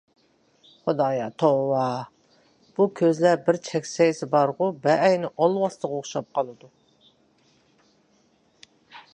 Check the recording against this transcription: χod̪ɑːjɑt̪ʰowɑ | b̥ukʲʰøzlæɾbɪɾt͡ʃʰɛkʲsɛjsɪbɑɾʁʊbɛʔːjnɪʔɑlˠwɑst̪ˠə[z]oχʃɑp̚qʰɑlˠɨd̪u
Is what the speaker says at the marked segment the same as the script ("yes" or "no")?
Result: no